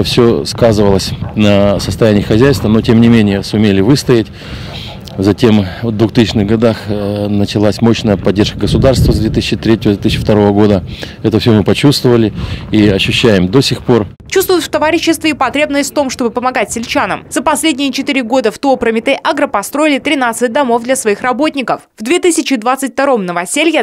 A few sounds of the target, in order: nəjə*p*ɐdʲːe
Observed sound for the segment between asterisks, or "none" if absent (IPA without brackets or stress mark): p